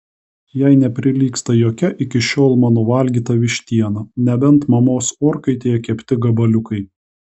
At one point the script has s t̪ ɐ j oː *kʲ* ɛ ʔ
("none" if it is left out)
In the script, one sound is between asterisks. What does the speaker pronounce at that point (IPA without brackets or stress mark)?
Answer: kʲ